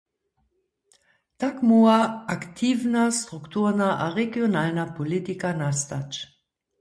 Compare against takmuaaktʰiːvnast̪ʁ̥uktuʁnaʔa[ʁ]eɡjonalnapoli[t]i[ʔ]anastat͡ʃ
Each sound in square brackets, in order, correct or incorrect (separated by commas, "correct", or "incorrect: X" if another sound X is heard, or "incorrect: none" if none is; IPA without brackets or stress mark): correct, correct, incorrect: k